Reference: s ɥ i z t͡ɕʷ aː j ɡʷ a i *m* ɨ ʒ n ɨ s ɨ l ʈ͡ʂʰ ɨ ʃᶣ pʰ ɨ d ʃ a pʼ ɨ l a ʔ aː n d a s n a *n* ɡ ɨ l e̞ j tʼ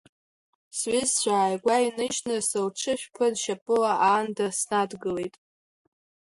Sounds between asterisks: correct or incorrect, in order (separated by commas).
incorrect, incorrect